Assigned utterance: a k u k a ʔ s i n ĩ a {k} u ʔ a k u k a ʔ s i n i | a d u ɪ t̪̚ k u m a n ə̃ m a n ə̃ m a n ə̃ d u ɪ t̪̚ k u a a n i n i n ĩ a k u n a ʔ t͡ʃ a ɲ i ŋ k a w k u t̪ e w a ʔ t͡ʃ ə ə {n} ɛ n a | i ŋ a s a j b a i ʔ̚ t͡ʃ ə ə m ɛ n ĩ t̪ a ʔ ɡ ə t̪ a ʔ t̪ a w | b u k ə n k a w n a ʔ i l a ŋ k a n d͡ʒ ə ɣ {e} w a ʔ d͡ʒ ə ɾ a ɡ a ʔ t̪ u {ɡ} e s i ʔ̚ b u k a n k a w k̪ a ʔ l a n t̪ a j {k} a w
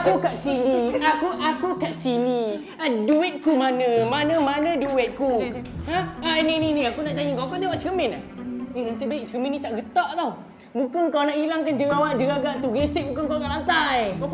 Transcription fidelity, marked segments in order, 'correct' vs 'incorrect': correct, incorrect: m, incorrect: a, correct, correct

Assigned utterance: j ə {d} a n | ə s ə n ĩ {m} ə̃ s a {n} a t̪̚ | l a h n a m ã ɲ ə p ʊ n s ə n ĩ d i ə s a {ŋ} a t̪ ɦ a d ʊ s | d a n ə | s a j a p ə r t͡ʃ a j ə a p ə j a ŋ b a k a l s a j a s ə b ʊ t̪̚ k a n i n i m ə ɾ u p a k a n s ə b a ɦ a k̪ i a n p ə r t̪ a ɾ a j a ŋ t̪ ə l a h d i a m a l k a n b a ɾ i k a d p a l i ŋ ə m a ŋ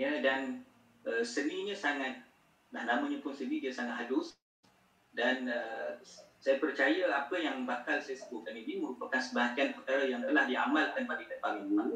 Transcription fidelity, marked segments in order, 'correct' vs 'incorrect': correct, incorrect: ɲ, incorrect: ŋ, correct

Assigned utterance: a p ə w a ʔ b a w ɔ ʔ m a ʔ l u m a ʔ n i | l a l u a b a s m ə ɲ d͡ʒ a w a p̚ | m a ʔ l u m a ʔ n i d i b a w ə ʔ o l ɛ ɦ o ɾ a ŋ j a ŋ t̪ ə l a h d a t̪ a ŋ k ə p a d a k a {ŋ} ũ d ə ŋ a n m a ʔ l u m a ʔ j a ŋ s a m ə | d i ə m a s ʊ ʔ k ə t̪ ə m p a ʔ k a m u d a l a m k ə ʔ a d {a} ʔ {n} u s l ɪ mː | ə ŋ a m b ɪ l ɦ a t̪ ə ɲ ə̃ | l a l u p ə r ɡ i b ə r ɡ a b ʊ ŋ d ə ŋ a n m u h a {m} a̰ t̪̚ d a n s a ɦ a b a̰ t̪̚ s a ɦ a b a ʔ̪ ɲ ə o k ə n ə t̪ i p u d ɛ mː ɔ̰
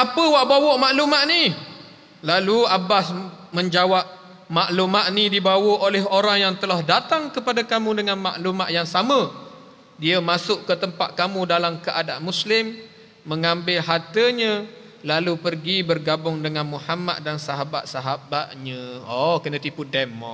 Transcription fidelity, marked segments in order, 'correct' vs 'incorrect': incorrect: m, correct, incorrect: m, correct

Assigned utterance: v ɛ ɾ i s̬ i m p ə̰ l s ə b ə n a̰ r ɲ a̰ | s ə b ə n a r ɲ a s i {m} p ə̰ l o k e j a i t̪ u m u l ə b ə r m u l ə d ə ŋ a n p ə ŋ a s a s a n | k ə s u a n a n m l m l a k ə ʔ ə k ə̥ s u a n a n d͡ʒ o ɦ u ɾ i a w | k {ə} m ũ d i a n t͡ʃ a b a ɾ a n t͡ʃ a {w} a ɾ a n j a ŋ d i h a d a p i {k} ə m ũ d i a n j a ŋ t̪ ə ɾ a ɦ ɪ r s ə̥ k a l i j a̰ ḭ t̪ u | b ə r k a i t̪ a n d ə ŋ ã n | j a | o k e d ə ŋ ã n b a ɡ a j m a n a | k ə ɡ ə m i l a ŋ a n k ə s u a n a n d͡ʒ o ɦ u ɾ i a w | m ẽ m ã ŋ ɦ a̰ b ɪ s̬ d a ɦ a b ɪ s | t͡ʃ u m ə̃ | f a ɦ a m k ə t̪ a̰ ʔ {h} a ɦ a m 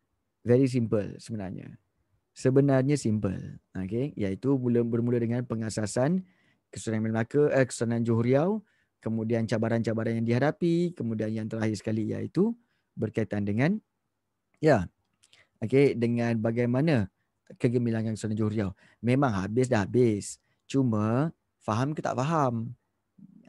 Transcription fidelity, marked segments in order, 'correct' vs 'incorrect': correct, correct, incorrect: b, correct, incorrect: f

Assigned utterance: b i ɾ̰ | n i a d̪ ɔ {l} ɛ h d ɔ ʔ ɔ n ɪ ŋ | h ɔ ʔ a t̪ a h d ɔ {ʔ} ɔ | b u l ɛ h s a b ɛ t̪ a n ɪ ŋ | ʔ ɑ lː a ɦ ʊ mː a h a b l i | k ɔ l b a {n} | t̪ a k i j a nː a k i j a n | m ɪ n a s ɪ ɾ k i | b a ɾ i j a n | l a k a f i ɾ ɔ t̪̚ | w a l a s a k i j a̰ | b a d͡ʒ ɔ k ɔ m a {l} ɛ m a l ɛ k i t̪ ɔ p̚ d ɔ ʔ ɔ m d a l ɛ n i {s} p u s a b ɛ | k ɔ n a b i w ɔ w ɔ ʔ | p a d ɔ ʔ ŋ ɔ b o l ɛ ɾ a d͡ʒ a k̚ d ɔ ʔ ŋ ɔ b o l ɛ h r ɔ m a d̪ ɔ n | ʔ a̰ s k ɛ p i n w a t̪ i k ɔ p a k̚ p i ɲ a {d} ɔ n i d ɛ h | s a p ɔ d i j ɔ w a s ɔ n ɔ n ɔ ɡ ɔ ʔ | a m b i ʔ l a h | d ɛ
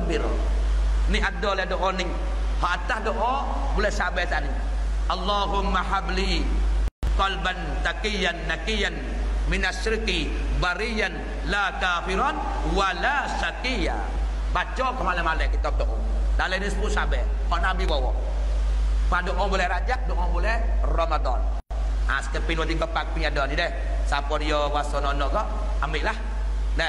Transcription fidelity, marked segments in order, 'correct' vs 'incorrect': correct, correct, correct, correct, correct, correct

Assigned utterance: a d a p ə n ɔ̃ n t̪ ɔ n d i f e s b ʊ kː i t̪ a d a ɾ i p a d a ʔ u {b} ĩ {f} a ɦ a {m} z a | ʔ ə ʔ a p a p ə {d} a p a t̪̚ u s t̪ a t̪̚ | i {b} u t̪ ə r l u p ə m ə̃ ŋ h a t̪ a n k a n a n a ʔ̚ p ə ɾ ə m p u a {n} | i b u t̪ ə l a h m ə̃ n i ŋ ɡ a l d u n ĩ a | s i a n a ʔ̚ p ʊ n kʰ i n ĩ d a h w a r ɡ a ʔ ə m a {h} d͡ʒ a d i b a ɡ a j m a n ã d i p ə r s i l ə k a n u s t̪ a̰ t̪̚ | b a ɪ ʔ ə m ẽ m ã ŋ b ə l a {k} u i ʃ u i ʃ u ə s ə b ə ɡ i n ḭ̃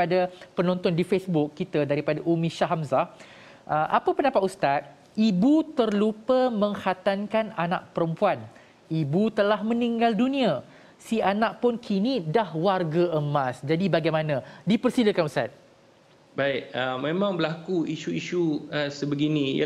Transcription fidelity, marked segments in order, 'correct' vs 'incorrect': incorrect: m, incorrect: ʃ, correct, incorrect: n, correct, correct, incorrect: s, correct

